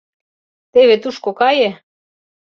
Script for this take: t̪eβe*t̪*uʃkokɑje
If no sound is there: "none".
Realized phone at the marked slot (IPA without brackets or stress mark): t̪